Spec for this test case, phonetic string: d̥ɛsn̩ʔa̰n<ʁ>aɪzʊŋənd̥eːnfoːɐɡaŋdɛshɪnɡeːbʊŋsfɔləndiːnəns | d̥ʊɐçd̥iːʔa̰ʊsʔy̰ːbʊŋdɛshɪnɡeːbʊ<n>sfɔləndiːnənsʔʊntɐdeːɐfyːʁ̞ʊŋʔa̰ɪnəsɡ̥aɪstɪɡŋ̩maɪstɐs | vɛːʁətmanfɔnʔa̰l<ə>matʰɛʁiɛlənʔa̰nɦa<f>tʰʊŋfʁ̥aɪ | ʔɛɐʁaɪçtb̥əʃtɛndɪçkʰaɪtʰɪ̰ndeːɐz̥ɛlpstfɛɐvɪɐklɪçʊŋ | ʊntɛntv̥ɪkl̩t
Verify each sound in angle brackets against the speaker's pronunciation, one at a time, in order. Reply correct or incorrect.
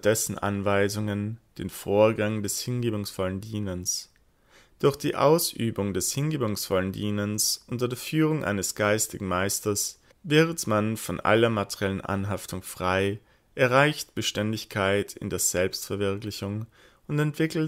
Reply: incorrect, incorrect, incorrect, correct

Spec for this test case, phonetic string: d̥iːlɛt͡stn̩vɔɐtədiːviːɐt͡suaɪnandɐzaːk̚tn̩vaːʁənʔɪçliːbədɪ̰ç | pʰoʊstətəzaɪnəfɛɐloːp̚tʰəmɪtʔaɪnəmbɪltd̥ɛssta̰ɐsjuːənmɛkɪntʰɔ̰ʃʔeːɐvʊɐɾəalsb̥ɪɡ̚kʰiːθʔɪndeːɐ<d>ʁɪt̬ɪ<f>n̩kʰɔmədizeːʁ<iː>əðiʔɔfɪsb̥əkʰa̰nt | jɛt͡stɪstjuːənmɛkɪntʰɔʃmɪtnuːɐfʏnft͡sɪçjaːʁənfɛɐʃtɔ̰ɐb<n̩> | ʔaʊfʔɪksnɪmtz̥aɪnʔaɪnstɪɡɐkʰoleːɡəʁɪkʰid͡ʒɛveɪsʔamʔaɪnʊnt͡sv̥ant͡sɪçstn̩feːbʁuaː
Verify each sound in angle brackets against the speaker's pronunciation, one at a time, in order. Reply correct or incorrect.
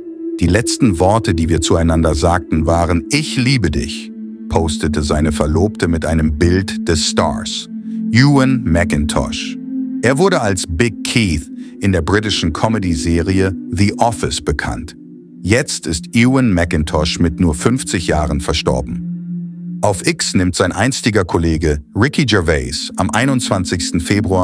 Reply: incorrect, incorrect, incorrect, incorrect

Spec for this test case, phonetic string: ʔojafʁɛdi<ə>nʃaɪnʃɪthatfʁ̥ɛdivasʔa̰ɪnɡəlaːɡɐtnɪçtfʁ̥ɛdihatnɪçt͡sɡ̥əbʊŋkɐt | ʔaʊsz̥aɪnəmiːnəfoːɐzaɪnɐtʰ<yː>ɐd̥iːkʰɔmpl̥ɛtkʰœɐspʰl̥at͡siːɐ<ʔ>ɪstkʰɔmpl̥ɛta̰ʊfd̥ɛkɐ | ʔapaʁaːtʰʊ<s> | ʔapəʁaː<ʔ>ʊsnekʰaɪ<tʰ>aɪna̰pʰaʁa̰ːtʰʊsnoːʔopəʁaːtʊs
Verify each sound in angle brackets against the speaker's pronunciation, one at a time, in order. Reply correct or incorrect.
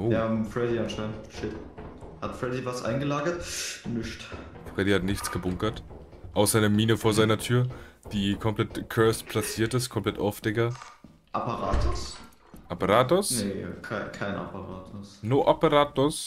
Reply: incorrect, correct, incorrect, correct, incorrect, incorrect

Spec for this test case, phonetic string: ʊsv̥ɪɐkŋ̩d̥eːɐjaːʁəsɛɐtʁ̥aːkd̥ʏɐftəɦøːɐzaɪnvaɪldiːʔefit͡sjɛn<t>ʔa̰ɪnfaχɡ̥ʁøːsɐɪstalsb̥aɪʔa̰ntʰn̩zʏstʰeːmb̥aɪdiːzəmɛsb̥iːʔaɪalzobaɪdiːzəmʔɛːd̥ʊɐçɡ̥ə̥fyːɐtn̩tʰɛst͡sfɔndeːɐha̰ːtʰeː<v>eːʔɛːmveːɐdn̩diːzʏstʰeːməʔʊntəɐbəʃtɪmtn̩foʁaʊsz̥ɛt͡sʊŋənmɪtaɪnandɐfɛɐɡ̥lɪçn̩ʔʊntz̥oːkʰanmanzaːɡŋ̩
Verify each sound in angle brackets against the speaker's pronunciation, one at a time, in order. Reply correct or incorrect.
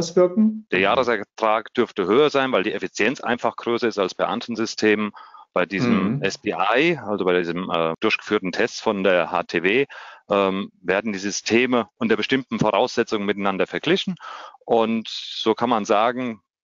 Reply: incorrect, correct

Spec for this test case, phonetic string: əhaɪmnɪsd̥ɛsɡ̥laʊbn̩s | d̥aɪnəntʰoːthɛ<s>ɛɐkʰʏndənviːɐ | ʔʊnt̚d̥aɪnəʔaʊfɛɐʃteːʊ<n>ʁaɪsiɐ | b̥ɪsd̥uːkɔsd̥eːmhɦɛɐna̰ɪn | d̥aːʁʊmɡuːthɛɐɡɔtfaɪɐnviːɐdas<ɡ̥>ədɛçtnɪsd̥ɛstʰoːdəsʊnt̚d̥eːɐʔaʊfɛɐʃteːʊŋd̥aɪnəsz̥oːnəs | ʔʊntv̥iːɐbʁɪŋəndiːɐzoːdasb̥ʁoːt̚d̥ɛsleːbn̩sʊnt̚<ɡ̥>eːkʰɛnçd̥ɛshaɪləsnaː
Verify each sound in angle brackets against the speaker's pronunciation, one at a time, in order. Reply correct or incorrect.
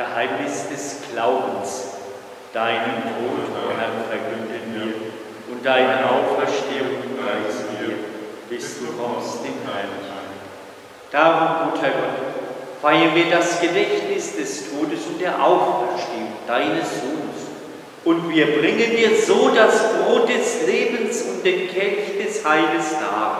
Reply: incorrect, incorrect, correct, incorrect

